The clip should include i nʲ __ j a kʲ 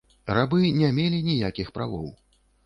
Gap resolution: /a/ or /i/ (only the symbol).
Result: i